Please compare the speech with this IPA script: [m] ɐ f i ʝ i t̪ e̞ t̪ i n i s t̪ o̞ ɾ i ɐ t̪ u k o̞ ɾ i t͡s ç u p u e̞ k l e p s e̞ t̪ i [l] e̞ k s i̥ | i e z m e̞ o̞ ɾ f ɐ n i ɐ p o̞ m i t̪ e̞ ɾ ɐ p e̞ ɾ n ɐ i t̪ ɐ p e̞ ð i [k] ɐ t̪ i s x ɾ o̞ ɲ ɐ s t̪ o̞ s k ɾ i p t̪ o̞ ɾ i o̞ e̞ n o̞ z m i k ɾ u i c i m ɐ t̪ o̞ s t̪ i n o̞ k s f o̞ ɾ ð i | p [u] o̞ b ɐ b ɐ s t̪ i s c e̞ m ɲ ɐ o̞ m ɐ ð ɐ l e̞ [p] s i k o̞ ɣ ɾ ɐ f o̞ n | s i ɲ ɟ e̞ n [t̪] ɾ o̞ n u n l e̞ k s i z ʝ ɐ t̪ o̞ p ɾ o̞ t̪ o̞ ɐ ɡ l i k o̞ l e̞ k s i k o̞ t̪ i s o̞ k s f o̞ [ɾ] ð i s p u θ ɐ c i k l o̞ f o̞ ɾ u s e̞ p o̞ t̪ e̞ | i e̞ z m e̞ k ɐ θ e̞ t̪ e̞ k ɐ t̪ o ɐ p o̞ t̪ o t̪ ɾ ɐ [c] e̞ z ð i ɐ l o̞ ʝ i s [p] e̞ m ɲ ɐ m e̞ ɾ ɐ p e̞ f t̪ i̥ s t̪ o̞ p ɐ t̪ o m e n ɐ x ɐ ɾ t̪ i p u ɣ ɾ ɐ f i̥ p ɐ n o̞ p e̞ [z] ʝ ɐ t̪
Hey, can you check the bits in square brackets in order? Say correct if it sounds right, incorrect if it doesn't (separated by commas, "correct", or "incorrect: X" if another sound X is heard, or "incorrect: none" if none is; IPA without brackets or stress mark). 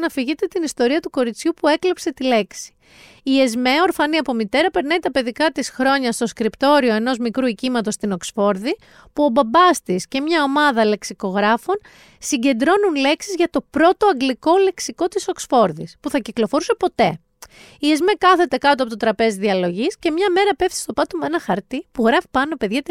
incorrect: n, correct, correct, correct, incorrect: k, incorrect: d̪, correct, incorrect: p, incorrect: c, incorrect: ð